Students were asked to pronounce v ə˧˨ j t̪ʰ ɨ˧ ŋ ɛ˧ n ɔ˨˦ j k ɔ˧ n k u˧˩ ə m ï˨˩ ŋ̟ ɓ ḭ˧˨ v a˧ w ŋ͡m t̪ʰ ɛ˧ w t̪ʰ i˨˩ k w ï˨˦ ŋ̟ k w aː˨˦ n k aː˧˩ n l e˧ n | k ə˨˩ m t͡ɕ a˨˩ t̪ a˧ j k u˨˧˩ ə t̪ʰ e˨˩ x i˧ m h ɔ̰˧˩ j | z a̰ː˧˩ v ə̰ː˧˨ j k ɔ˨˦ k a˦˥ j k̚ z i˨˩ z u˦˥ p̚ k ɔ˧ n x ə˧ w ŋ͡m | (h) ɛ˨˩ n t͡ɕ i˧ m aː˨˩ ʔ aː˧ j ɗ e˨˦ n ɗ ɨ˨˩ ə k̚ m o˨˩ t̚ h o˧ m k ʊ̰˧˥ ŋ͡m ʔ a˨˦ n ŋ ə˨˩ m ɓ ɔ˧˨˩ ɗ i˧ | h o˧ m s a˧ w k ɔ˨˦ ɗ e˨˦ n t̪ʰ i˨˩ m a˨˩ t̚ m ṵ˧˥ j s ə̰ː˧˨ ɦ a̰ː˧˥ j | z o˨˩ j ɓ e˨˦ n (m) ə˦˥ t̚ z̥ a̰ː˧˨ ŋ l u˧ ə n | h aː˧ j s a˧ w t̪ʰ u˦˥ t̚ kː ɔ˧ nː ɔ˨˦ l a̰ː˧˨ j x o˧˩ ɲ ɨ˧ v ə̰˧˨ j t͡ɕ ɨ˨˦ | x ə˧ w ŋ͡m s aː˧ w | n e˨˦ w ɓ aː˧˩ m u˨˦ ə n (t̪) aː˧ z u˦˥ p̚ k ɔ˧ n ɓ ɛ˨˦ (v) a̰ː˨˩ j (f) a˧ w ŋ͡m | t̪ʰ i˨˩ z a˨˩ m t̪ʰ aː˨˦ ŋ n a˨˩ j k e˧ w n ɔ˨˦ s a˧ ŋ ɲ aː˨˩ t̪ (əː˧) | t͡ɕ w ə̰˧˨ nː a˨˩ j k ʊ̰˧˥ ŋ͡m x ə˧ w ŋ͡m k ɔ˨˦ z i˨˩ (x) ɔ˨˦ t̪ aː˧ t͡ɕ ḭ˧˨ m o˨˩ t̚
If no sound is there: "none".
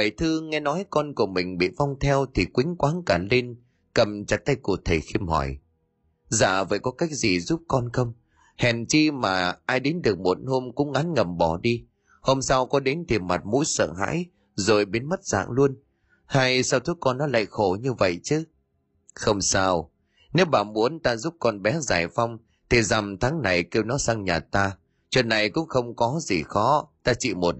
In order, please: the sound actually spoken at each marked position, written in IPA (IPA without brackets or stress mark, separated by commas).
h, m, t̪, z, f, aː˧, x